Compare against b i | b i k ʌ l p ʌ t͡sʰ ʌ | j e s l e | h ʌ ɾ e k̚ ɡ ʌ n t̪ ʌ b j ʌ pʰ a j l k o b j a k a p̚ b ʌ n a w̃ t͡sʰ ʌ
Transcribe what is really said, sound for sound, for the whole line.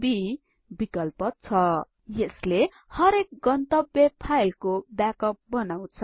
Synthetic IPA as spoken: b i | b i k ʌ l p ʌ t͡sʰ ʌ | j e s l e | h ʌ ɾ e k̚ ɡ ʌ n t̪ ʌ b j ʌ pʰ a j l k o b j a k ʌ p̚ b ʌ n a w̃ t͡sʰ ʌ